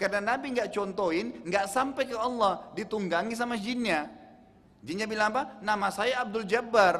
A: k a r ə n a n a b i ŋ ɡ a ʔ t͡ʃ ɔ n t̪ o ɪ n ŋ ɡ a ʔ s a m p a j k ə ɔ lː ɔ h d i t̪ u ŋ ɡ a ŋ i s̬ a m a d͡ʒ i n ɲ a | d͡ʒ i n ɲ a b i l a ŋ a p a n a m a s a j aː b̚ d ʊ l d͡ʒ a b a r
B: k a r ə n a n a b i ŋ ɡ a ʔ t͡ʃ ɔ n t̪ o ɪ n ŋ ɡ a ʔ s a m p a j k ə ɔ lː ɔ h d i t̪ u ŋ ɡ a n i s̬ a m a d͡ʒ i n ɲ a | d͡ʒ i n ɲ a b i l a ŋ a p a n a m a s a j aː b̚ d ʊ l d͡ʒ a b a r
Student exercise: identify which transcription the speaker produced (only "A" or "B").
A